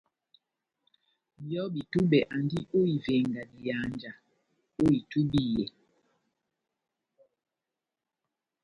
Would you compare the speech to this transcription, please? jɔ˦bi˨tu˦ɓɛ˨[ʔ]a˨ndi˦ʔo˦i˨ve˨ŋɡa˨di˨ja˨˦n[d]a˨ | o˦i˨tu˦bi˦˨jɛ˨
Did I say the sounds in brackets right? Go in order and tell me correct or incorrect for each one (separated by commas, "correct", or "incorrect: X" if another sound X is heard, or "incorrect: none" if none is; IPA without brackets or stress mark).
correct, incorrect: d͡ʒ